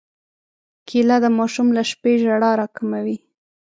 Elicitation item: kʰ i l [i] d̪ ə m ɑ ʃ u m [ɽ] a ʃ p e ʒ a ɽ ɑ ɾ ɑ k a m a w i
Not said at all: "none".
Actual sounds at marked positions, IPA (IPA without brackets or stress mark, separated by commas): a, l